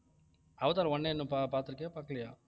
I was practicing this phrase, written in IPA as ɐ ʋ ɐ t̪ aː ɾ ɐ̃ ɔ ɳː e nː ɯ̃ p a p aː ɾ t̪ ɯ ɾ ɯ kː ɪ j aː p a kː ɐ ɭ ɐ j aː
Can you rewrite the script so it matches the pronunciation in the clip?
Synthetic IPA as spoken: ɐ ʋ ɐ t̪ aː ɾ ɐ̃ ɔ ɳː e nː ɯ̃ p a p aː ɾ t̪ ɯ ɾ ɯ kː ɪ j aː p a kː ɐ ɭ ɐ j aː